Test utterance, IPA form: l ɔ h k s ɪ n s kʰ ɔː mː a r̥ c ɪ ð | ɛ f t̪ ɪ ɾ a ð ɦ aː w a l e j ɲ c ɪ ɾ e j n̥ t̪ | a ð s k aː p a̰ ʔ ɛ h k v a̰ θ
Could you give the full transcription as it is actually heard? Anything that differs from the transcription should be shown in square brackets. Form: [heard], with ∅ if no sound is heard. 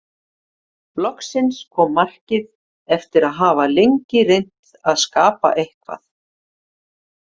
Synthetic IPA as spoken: l ɔ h k s ɪ n s kʰ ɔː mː a r̥ c ɪ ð | ɛ f t̪ ɪ ɾ a ð ɦ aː [v] a l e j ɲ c ɪ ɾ e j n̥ t̪ | a ð s k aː p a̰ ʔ [e] h k v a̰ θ